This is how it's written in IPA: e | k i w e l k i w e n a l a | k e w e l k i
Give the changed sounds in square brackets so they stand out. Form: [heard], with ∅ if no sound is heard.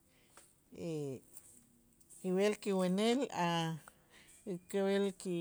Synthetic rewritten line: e | k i w e l k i w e n [e] l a | k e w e l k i